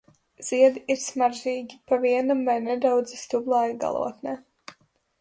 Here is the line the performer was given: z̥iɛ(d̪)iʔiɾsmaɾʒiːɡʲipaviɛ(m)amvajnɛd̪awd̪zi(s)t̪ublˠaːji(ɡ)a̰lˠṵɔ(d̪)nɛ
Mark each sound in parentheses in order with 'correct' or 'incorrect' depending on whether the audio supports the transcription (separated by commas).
correct, incorrect, correct, correct, incorrect